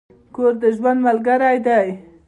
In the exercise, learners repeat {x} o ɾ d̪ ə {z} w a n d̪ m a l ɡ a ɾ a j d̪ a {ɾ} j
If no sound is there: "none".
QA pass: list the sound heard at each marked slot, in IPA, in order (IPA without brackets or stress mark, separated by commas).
k, ʒ, none